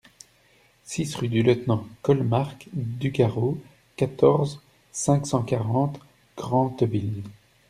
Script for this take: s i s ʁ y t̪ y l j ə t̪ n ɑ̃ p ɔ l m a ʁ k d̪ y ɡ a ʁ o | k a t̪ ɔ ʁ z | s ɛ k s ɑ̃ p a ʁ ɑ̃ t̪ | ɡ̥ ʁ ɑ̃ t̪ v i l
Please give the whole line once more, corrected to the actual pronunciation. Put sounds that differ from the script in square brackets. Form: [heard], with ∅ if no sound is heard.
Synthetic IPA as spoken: s i s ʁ y [d̪] y l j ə t̪ n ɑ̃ [k] ɔ l m a ʁ k d̪ y ɡ a ʁ o | k a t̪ ɔ ʁ z | s [ɛ̃] k s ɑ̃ [k] a ʁ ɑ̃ t̪ | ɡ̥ ʁ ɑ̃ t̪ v i l